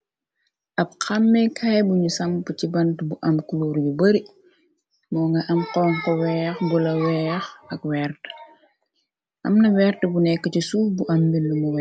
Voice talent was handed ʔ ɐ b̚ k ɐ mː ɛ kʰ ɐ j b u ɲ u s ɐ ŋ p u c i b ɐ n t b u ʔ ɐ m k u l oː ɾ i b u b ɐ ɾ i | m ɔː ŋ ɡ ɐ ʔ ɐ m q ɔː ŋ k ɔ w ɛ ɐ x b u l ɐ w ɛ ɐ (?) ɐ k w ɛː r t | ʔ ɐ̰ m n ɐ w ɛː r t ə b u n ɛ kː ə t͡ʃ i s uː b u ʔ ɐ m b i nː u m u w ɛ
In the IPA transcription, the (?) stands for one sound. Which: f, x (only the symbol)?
x